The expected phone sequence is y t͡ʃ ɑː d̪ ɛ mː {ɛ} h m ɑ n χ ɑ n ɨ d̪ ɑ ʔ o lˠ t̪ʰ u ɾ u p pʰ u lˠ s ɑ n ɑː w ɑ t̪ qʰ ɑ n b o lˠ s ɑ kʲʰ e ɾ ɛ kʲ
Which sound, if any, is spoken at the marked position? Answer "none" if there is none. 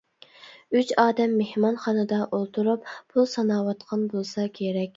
e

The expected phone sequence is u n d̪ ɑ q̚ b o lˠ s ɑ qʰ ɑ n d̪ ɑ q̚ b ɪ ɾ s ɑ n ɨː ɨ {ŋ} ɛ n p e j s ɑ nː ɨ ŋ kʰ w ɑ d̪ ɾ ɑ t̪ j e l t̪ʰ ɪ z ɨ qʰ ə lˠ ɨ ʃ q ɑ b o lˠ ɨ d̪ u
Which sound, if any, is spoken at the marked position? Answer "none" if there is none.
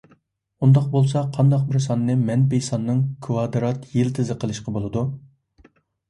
m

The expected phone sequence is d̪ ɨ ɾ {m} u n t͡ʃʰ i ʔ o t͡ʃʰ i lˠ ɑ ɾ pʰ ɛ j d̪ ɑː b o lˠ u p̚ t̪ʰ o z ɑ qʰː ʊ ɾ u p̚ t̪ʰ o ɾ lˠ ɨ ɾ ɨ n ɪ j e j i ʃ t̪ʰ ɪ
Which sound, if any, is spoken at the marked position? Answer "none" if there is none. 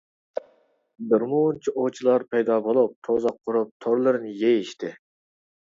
m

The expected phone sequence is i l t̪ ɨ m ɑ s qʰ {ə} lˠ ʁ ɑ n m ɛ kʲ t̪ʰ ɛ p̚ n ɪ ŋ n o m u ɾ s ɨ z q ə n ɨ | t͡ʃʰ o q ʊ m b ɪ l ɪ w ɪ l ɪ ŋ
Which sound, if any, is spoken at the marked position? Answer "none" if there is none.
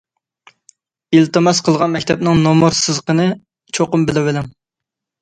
ə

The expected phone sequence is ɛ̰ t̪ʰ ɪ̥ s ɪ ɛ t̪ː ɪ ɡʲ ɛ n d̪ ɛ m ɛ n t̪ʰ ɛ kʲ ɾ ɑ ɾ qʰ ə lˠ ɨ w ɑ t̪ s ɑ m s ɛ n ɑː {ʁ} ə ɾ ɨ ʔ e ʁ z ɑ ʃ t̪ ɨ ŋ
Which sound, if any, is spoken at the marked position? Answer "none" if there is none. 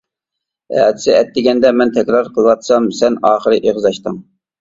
χ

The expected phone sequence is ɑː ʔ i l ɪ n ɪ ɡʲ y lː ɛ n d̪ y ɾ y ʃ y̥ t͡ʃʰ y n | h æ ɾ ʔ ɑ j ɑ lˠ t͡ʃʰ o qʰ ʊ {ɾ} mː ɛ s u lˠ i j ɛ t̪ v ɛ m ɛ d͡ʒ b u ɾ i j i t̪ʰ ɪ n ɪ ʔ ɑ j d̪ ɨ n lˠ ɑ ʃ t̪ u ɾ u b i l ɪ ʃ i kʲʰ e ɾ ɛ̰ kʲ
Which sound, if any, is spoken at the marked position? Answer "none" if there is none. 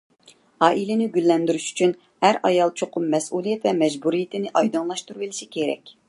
none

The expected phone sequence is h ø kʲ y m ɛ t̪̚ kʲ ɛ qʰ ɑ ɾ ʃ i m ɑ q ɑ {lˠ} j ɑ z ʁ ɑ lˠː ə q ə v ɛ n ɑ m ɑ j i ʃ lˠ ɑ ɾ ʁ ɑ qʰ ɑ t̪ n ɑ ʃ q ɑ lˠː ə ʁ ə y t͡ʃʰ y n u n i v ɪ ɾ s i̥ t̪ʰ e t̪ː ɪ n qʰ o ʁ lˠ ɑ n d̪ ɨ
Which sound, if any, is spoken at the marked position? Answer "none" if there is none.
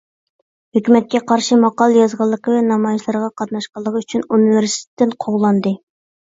lˠ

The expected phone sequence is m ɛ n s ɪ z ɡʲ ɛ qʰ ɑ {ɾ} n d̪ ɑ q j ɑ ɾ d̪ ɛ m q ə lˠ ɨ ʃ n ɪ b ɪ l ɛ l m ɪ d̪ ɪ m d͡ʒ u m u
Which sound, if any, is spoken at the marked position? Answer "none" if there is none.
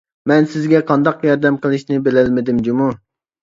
none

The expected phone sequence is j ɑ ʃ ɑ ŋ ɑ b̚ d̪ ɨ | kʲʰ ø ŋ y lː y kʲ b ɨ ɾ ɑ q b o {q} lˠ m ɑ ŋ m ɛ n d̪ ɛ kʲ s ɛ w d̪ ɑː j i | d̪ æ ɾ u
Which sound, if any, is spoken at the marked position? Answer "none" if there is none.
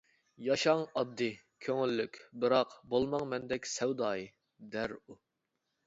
none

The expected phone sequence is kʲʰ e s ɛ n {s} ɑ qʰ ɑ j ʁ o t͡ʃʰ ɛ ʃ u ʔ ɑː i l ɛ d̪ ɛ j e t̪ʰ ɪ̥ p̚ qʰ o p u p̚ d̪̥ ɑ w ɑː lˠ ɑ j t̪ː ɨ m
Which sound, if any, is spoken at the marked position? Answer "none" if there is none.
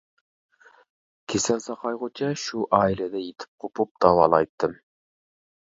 s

